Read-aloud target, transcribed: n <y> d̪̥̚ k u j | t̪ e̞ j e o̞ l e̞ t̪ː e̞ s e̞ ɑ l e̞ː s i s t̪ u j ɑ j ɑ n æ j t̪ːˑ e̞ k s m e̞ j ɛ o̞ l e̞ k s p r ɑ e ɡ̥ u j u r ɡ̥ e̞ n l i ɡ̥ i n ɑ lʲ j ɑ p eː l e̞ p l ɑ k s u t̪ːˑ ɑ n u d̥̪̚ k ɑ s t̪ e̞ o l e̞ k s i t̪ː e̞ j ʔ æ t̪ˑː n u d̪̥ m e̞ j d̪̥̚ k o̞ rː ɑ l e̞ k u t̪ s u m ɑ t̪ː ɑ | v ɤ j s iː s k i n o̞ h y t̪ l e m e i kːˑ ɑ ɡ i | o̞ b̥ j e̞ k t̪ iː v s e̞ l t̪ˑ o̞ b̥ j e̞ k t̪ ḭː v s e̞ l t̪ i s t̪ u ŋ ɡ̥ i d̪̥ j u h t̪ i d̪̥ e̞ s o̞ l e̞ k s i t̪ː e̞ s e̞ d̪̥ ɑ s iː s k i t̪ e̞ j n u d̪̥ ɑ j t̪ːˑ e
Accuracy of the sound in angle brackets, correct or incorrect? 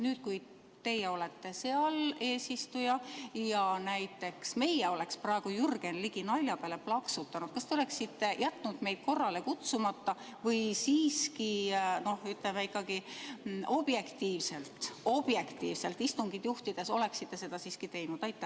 incorrect